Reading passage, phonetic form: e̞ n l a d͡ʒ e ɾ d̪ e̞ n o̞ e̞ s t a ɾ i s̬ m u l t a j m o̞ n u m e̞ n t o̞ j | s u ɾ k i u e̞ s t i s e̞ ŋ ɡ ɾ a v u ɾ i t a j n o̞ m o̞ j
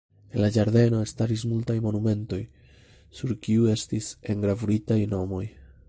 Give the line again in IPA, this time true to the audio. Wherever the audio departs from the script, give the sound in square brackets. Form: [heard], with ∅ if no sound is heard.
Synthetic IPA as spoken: e̞ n l a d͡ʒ [a] ɾ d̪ e̞ n o̞ e̞ s t a ɾ i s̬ m u l t a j m o̞ n u m e̞ n t o̞ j | s u ɾ k i u e̞ s t i s e̞ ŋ ɡ ɾ a v u ɾ i t a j n o̞ m o̞ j